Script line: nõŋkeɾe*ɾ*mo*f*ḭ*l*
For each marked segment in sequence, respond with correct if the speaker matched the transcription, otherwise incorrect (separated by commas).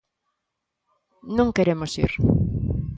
incorrect, incorrect, incorrect